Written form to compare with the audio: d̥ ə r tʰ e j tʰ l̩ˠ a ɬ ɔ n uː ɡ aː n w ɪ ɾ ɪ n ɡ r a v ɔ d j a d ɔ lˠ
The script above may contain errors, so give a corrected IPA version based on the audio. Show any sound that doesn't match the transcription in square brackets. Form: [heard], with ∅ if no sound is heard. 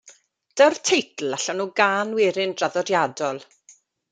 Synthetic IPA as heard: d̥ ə r tʰ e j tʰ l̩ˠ a ɬ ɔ n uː ɡ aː n w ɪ ɾ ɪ n [d] r a [ð] ɔ d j a d ɔ lˠ